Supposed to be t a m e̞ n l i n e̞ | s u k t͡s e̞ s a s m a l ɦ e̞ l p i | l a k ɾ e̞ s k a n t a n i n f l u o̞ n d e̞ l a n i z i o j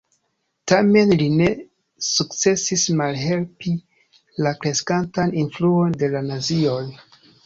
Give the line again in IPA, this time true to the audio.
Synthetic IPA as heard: t a m e̞ n l i n e̞ | s u k t͡s e̞ s i s m a l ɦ e̞ l p i | l a k ɾ e̞ s k a n t a n i n f l u o̞ n d e̞ l a n a z i o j